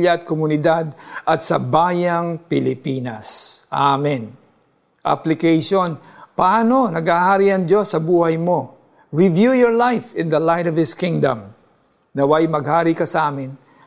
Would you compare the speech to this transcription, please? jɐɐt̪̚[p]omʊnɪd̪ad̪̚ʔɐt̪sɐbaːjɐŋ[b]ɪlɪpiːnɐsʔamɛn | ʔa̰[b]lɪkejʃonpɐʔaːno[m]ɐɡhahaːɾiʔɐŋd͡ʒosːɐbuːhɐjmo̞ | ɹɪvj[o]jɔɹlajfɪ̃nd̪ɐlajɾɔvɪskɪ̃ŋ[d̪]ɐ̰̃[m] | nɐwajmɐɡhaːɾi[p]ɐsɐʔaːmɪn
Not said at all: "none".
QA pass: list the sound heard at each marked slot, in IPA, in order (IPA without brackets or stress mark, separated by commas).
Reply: k, p, p, n, u, d̪, m, k